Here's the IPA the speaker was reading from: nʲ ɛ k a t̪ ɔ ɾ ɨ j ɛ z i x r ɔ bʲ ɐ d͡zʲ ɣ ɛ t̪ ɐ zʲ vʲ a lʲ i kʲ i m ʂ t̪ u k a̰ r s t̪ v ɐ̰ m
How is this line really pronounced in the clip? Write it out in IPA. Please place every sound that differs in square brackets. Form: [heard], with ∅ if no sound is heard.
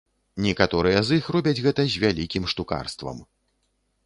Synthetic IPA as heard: nʲ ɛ k a t̪ ɔ ɾ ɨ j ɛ z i x r ɔ bʲ ɐ d͡zʲ ɣ ɛ t̪ ɐ zʲ vʲ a lʲ i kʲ i m ʂ t̪ u k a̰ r s t̪ v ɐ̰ m